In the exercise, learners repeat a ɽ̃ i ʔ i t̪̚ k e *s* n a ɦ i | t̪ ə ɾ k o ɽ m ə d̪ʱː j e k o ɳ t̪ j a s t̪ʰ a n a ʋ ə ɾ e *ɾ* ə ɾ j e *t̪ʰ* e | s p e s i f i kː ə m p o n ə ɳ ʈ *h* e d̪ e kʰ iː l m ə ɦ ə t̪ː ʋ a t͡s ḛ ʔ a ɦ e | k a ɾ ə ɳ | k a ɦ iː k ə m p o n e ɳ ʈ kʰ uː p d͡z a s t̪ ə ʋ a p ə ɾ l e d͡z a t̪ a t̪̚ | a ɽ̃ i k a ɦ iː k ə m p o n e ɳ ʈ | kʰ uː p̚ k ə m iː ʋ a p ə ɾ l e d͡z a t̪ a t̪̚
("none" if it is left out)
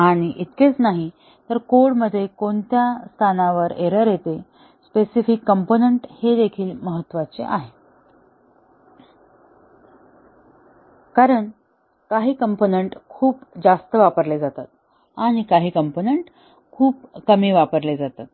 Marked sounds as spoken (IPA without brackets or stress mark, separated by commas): t͡s, ɾ, t̪, h